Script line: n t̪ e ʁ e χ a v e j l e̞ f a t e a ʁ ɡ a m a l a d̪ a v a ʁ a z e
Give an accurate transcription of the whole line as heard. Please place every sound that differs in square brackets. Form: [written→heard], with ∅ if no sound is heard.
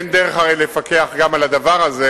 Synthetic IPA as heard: n [t̪→d̪] e ʁ e χ a [v→ʁ] e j l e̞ f a [t→k] e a [ʁ→χ] ɡ a m a l a d̪ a v a ʁ a z e